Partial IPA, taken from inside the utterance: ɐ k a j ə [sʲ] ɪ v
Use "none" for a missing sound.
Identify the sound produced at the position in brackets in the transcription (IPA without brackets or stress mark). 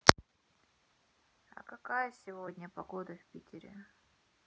sʲ